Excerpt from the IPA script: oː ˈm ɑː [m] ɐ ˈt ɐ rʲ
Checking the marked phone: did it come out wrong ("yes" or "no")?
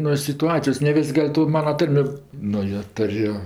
yes